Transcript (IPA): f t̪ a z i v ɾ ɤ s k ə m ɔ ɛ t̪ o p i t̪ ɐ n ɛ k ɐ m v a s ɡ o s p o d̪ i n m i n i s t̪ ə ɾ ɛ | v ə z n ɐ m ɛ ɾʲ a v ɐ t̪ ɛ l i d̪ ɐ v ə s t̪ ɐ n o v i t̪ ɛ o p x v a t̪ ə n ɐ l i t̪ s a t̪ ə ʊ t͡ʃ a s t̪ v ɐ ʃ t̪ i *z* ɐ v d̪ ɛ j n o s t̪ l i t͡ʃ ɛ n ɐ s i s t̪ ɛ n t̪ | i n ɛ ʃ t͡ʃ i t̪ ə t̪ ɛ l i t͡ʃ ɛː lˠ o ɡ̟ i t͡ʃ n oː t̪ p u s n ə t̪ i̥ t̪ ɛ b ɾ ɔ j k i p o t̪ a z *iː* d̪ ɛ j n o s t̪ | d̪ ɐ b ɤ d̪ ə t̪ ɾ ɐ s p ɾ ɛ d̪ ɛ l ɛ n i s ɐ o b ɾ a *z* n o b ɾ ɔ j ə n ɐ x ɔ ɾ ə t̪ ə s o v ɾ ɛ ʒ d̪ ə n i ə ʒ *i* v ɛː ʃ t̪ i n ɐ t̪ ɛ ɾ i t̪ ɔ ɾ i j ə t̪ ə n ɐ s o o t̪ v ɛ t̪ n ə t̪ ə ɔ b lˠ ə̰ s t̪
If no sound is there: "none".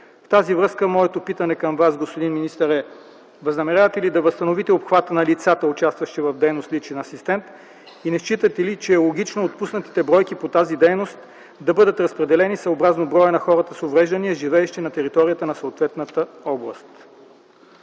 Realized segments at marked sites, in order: v, i, z, i

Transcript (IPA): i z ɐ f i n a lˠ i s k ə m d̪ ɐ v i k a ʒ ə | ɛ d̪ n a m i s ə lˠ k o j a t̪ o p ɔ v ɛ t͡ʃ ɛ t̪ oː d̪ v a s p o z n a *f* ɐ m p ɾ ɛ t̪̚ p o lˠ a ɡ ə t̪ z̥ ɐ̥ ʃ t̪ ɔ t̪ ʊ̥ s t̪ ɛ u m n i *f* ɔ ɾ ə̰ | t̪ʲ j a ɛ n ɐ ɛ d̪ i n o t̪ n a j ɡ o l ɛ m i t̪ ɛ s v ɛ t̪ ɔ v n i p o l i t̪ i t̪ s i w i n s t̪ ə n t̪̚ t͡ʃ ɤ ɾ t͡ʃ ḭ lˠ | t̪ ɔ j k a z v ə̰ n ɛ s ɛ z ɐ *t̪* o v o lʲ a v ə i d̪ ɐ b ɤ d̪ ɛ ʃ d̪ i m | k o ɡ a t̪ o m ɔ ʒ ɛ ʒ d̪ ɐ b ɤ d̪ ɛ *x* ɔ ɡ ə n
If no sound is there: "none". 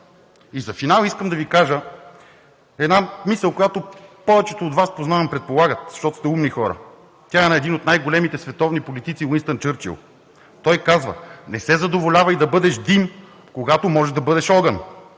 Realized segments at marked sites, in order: v, x, d̪, ʃ

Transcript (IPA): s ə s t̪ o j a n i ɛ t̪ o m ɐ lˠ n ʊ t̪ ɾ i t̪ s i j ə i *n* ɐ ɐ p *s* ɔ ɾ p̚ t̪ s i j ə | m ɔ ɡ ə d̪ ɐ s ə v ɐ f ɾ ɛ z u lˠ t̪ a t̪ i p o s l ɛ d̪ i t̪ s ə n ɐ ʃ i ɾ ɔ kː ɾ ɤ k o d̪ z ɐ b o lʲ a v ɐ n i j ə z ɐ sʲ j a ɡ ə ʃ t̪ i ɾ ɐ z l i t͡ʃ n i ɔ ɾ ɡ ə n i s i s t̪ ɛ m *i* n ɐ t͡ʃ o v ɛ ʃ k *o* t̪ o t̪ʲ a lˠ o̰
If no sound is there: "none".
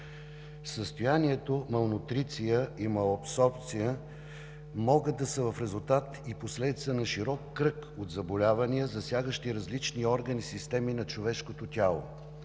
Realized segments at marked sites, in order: m, s, i, o

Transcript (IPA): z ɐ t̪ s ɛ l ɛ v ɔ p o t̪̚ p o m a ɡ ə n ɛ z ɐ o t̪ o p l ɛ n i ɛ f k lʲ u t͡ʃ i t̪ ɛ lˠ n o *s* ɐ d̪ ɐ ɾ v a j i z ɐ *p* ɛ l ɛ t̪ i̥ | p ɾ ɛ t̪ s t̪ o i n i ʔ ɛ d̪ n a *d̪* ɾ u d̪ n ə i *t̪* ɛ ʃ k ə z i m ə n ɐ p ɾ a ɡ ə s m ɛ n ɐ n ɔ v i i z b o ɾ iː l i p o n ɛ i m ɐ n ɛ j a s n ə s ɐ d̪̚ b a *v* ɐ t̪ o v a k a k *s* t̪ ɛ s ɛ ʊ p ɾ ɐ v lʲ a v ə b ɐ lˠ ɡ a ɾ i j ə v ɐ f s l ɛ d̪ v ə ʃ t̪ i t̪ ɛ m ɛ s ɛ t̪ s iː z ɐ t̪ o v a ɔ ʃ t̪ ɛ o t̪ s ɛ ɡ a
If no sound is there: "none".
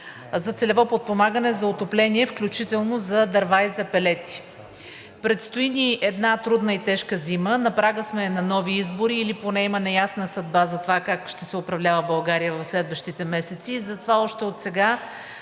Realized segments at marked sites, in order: z, p, t̪, t̪, z, ʃ

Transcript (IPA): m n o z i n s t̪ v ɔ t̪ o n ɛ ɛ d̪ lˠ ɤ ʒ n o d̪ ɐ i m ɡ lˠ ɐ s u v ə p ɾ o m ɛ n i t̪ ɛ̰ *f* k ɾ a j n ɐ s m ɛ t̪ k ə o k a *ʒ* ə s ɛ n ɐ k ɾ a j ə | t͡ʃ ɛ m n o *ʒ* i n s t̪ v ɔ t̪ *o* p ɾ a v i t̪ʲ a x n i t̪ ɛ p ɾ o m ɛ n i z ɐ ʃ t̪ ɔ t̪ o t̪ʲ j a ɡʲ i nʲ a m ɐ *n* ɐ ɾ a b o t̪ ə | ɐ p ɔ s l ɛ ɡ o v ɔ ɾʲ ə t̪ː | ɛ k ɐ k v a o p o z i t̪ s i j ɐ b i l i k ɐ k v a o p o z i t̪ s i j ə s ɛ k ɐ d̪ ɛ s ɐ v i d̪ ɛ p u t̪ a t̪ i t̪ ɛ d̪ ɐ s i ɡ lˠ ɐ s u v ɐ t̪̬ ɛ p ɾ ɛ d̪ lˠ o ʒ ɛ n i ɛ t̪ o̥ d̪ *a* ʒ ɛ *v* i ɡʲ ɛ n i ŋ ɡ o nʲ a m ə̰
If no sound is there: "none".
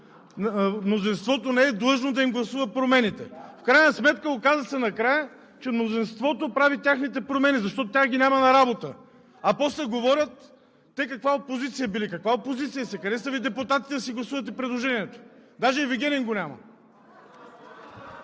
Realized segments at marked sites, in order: f, z, z, o, n, a, v

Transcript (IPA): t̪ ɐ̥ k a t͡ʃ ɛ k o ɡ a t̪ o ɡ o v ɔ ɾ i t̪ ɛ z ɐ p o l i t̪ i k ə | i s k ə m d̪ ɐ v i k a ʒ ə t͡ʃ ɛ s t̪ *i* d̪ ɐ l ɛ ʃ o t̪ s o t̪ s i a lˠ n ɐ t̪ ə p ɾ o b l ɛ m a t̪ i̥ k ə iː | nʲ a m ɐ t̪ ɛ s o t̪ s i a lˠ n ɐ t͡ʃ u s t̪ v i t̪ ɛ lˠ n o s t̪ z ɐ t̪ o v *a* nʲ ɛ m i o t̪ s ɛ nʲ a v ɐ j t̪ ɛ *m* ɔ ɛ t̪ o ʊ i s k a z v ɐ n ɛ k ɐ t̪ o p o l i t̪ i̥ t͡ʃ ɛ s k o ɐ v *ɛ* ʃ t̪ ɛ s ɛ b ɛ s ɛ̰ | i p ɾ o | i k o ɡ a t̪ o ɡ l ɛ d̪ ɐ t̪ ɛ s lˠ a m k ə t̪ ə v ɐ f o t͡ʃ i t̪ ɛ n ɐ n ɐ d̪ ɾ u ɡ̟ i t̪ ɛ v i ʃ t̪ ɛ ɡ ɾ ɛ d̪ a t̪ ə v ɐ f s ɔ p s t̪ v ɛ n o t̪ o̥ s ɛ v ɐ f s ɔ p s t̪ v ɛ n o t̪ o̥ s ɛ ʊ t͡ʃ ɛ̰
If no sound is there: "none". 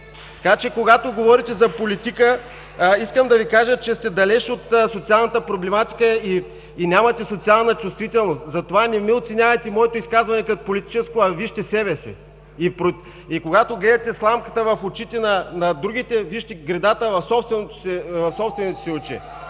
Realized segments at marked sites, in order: ɛ, a, m, i

